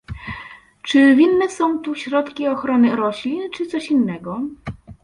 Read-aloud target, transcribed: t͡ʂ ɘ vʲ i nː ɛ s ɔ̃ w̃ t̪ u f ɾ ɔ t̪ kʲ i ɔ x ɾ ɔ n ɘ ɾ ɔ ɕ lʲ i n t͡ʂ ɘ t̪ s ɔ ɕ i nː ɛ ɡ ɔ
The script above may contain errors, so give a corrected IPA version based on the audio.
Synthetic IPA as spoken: t͡ʂ ɘ vʲ i nː ɛ s ɔ̃ w̃ t̪ u ɕ ɾ ɔ t̪ kʲ i ɔ x ɾ ɔ n ɘ ɾ ɔ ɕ lʲ i n t͡ʂ ɘ t̪ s ɔ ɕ i nː ɛ ɡ ɔ